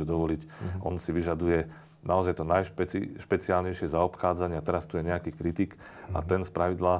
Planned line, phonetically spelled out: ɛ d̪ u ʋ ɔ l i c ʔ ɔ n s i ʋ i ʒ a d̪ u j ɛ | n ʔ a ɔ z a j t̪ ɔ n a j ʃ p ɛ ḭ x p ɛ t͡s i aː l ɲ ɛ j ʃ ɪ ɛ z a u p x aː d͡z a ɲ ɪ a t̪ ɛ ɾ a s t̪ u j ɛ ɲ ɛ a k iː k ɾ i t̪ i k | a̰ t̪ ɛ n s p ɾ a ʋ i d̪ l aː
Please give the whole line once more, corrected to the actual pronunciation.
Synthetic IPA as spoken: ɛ d̪ ɔ ʋ ɔ l i c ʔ ɔ n s i ʋ i ʒ a d̪ u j ɛ | n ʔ a ɔ z a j t̪ ɔ n a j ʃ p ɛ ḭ ʃ p ɛ t͡s i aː l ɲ ɛ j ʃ ɪ ɛ z a ɔ p x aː d͡z a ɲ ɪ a t̪ ɛ ɾ a s t̪ u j ɛ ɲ ɛ a k iː k ɾ i t̪ i k | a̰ t̪ ɛ n s p ɾ a ʋ i d̪ l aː